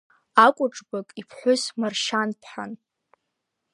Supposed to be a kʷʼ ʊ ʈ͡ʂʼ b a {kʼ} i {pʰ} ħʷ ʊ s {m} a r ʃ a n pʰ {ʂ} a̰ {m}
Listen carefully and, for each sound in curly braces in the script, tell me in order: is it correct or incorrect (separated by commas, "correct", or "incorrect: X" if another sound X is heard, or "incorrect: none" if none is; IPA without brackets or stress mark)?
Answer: correct, correct, correct, incorrect: ħ, incorrect: n